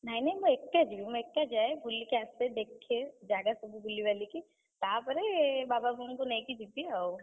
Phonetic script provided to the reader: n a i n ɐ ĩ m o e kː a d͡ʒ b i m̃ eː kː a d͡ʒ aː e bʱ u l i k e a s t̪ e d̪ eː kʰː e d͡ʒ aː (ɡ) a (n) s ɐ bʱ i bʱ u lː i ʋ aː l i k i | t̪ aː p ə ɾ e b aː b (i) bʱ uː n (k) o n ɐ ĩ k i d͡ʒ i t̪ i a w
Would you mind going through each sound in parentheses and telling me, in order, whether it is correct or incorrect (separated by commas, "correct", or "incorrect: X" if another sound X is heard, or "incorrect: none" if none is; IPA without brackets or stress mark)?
correct, incorrect: none, incorrect: a, correct